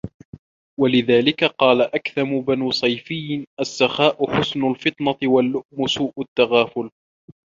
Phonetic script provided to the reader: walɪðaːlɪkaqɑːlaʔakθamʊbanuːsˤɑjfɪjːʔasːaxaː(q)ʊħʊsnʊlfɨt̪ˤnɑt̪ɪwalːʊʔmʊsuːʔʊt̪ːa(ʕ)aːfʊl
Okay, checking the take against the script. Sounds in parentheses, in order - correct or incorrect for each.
incorrect, incorrect

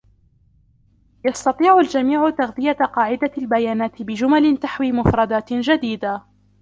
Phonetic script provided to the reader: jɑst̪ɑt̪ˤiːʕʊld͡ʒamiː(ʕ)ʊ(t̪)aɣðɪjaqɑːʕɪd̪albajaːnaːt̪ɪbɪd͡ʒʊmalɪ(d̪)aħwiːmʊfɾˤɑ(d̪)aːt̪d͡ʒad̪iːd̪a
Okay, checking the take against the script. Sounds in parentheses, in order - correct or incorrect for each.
correct, correct, incorrect, correct

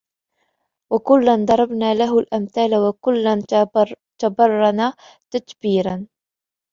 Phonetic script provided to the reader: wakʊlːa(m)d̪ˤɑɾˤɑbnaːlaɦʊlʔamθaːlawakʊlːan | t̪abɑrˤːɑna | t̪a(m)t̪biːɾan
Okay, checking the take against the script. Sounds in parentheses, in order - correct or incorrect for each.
incorrect, incorrect

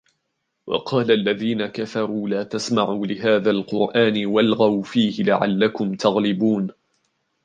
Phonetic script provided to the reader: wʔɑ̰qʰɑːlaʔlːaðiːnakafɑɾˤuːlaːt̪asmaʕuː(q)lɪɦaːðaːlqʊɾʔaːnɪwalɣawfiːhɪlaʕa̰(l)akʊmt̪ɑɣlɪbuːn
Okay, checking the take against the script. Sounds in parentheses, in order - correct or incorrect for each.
incorrect, incorrect

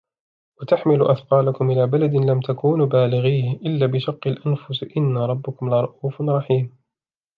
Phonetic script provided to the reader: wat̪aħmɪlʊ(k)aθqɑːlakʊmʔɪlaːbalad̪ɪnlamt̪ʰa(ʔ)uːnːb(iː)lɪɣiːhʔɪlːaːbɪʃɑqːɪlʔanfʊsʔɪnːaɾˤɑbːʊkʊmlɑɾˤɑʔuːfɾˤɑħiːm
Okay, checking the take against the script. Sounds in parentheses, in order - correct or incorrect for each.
incorrect, incorrect, incorrect

